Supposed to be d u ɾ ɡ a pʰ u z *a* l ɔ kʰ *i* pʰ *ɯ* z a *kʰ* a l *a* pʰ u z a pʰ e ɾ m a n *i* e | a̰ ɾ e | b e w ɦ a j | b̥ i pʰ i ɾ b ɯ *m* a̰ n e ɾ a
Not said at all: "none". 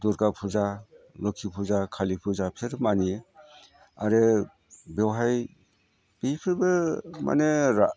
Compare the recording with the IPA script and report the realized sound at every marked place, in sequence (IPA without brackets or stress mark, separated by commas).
a, i, u, kʰ, i, i, m